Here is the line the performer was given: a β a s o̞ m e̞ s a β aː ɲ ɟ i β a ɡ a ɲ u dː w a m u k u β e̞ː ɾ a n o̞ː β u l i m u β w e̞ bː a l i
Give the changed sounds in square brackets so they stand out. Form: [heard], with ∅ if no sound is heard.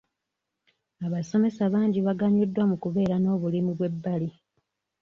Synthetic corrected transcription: a β a s o̞ m e̞ s a β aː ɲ ɟ i β a ɡ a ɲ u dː w a m u k u β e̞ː ɾ a n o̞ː β u l i m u β w e̞ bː a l i